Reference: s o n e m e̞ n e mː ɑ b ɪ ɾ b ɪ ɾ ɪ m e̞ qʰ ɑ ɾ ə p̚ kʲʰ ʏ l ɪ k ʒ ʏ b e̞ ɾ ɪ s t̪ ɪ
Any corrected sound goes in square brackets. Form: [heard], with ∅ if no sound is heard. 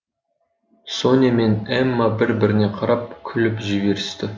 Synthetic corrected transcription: s o n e m e̞ n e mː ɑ b ɪ ɾ b ɪ ɾ ɪ [n] e̞ qʰ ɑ ɾ [ɑ] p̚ kʲʰ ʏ l ɪ [p] ʒ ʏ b e̞ ɾ ɪ s t̪ ɪ